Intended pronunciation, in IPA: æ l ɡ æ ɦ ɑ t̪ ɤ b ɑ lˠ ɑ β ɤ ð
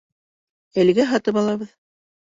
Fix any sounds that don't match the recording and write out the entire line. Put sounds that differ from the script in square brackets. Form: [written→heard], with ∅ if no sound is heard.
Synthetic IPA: æ l ɡ æ ɦ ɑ t̪ ɤ [b→p] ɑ lˠ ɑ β ɤ ð